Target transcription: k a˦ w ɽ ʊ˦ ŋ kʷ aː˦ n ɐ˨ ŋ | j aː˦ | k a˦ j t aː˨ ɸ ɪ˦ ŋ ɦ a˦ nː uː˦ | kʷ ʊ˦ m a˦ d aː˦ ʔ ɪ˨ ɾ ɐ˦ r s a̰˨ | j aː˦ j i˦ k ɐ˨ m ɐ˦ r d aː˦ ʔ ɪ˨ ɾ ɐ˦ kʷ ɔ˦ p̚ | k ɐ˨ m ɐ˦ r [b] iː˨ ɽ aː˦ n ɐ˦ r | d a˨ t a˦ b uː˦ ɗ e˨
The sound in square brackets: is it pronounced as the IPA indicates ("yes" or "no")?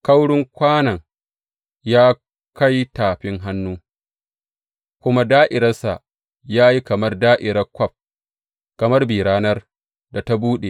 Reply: yes